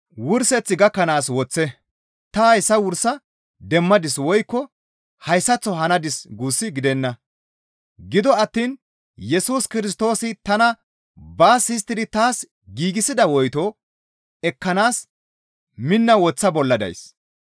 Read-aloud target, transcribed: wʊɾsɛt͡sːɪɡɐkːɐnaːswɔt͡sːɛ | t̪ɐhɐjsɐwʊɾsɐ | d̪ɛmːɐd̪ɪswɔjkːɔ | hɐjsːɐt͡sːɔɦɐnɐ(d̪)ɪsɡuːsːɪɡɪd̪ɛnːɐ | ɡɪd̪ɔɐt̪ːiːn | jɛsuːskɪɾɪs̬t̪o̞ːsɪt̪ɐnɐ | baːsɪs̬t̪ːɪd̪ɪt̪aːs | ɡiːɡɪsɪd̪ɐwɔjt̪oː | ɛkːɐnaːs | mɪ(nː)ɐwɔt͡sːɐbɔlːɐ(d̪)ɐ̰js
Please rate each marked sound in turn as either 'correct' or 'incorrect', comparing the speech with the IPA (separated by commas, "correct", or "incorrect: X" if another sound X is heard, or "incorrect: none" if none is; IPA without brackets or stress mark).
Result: correct, correct, correct